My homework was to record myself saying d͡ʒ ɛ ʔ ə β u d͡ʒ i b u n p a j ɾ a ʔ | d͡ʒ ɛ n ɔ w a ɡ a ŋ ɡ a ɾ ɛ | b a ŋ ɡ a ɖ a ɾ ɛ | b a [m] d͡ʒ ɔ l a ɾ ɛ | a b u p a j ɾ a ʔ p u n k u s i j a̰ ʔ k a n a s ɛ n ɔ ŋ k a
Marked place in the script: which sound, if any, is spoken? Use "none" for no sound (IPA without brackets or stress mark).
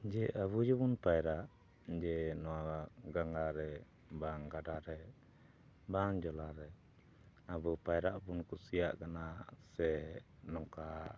ŋ